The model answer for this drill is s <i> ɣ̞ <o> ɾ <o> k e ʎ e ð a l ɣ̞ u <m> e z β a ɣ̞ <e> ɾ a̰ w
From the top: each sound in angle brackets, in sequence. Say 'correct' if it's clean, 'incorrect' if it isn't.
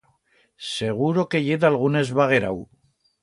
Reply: incorrect: e, incorrect: u, correct, incorrect: n, correct

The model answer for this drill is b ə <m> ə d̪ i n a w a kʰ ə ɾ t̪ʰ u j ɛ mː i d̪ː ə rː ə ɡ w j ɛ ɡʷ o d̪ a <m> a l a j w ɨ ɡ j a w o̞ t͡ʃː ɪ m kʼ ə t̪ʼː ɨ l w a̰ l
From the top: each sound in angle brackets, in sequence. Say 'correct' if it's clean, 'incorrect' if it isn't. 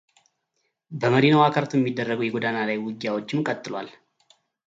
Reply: correct, incorrect: n

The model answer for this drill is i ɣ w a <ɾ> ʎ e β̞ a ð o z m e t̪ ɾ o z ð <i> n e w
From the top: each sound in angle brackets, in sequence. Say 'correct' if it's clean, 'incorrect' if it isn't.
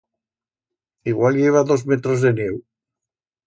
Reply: incorrect: l, incorrect: e

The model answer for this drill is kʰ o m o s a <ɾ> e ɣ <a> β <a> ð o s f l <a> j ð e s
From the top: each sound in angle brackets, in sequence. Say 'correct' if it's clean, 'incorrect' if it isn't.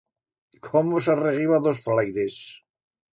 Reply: incorrect: r, incorrect: i, correct, correct

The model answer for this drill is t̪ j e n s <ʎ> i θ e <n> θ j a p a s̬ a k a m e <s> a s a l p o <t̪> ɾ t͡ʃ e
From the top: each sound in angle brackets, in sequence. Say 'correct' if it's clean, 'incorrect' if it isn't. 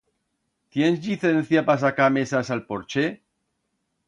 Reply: correct, correct, correct, incorrect: none

